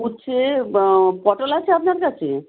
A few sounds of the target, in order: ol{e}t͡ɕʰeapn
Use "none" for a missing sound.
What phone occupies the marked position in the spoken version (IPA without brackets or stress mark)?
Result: a